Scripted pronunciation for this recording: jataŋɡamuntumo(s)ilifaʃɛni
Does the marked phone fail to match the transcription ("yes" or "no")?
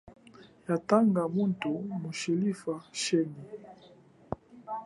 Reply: yes